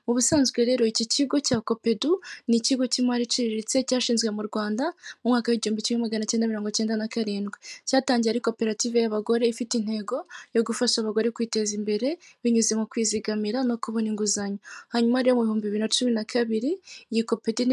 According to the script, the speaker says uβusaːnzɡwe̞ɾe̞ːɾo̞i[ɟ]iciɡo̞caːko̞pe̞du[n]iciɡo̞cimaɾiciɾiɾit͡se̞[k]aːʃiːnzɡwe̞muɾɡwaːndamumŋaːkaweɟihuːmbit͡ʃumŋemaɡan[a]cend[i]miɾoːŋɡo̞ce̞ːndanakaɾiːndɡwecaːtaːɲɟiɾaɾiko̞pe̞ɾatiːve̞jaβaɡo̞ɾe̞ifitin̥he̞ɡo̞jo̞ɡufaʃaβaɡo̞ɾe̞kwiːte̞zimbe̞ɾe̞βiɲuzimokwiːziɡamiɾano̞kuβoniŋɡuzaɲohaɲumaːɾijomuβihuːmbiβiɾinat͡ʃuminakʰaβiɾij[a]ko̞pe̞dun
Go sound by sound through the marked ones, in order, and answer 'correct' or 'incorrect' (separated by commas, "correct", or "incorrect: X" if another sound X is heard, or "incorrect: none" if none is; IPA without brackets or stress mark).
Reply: incorrect: c, correct, incorrect: c, correct, incorrect: a, incorrect: i